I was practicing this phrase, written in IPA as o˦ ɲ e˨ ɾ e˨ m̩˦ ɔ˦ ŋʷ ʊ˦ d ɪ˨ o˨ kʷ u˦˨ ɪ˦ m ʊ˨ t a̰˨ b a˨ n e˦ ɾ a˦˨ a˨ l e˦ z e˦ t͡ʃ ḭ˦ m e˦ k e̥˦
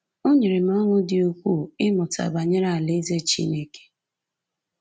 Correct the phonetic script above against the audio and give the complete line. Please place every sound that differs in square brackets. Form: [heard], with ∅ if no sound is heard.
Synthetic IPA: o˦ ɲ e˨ ɾ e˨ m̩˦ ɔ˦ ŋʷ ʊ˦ d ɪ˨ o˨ kʷ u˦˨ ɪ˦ m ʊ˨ t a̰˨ b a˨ [ɲ] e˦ ɾ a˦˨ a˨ l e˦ z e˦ t͡ʃ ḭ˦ [n] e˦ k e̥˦